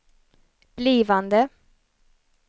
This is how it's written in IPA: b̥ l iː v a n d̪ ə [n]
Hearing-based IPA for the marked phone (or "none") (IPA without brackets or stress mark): none